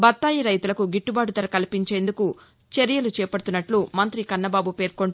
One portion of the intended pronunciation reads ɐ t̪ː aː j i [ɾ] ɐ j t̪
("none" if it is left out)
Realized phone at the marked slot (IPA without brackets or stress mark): ɾ